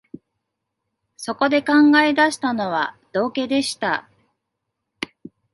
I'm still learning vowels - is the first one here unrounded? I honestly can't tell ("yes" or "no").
no